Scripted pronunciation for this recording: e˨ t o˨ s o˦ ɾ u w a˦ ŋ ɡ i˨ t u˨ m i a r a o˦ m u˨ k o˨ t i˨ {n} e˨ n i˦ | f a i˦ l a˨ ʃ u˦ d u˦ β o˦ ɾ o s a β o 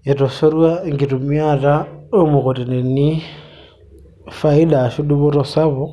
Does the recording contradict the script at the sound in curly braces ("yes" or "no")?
no